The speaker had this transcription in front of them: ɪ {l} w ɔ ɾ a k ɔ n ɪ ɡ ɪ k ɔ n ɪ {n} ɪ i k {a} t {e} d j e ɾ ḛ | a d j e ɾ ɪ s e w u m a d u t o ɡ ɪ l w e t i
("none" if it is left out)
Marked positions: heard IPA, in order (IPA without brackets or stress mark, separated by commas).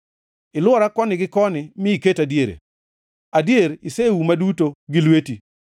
l, m, e, a